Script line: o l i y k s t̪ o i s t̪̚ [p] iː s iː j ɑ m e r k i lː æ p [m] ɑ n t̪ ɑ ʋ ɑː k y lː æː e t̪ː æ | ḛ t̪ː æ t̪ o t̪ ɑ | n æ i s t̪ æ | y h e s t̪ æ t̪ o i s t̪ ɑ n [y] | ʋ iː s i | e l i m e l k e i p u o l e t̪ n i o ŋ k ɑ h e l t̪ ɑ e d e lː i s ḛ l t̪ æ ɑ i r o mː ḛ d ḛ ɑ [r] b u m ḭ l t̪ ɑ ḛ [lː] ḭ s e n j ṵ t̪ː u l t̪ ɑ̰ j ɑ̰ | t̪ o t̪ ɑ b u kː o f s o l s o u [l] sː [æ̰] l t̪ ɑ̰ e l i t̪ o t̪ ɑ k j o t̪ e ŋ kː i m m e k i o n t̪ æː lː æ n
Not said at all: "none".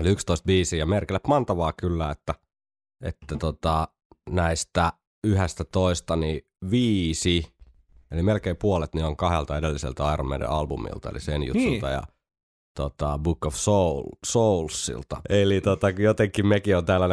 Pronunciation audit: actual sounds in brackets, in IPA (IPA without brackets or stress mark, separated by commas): b, m, i, l, l, l, ḭ